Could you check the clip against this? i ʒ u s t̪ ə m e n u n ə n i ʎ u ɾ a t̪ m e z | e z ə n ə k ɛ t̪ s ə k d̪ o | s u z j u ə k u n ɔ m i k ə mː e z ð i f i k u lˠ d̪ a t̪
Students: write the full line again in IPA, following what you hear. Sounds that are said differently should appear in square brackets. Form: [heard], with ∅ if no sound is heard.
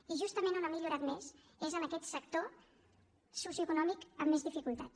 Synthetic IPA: i ʒ u s t̪ ə m e n u n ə [m] i ʎ u ɾ a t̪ m e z | e z ə n ə k ɛ t̪ s ə k [t̪] o | s u [s] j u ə k u n ɔ m i k ə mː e z ð i f i k u lˠ [t̪] a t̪